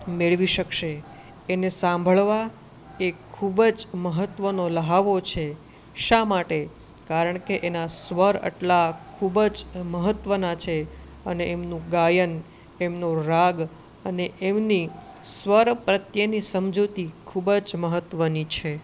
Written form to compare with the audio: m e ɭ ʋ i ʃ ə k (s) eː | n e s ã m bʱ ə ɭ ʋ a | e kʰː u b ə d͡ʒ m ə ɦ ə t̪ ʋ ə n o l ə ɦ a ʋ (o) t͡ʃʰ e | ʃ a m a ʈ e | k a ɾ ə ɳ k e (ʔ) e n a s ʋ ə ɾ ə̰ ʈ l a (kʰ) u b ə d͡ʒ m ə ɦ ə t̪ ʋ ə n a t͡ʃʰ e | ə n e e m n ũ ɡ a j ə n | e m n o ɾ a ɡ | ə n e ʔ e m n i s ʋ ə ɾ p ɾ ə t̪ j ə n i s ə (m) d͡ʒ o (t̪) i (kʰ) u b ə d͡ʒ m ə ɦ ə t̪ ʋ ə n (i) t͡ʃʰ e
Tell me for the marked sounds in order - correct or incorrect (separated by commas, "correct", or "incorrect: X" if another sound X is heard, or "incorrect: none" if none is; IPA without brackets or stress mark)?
incorrect: ʃ, correct, correct, correct, correct, correct, correct, correct